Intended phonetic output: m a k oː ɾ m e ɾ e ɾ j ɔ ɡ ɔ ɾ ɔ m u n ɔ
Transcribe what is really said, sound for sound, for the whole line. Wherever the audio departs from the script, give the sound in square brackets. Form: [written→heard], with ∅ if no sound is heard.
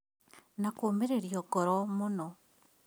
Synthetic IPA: [m→n] a k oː [ɾ→∅] m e ɾ e ɾ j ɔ ɡ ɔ ɾ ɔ m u n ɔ